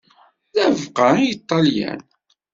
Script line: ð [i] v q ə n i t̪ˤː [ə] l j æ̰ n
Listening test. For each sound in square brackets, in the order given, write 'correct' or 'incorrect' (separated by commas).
incorrect, incorrect